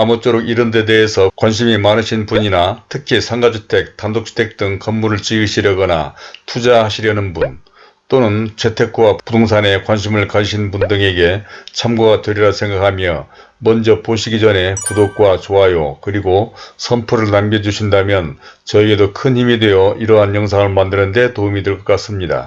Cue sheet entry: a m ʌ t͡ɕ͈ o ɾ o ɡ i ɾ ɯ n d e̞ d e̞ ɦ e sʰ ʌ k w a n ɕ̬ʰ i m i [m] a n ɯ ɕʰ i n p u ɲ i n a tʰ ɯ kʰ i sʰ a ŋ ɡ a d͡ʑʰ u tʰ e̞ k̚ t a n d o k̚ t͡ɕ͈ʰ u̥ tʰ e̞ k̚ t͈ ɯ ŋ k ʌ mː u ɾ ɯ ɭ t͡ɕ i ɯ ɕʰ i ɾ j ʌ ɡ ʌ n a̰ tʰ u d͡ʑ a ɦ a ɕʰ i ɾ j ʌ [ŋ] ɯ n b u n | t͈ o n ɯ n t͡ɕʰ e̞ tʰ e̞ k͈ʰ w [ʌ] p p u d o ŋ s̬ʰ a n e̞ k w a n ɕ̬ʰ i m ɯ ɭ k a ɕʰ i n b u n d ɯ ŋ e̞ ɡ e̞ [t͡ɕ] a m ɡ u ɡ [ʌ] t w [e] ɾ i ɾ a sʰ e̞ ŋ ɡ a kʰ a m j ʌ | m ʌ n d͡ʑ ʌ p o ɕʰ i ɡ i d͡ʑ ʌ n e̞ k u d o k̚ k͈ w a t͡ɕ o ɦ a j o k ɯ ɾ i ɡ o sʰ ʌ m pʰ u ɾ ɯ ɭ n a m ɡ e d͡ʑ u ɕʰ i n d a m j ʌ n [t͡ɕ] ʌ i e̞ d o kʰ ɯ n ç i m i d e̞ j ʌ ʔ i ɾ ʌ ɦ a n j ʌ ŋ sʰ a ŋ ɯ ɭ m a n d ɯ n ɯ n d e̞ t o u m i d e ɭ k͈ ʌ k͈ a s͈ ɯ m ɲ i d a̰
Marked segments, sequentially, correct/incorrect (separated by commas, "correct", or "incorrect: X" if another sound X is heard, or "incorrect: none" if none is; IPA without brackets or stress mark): correct, incorrect: n, incorrect: a, incorrect: t͡ɕʰ, incorrect: a, correct, correct